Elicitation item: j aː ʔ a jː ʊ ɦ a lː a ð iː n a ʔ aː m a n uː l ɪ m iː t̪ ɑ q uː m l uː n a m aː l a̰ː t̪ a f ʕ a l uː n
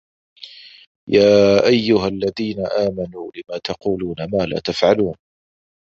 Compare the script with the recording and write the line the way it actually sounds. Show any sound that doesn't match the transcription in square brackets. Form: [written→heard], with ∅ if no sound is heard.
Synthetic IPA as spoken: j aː ʔ a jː ʊ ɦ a lː a ð iː n a ʔ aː m a n uː l ɪ m [iː→aː] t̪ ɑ q uː [m→∅] l uː n a m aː l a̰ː t̪ a f ʕ a l uː n